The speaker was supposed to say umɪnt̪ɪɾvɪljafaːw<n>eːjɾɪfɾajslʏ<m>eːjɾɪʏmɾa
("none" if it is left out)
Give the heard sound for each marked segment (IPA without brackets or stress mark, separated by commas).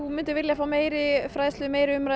m, m